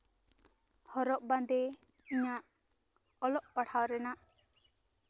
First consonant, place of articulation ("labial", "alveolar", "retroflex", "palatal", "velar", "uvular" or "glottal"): glottal